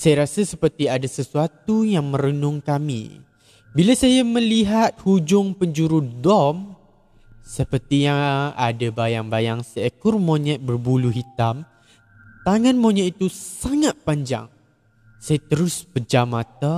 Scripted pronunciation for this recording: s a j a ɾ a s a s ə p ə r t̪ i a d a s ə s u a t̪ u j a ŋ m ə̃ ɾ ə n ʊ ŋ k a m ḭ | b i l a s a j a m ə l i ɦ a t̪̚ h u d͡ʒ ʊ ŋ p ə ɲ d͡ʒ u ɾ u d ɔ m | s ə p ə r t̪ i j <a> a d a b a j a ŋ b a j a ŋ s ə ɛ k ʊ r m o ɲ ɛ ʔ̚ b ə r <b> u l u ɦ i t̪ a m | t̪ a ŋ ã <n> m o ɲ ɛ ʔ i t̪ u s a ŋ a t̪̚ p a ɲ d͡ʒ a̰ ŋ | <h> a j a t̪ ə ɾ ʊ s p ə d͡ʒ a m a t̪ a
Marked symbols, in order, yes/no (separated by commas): yes, yes, yes, no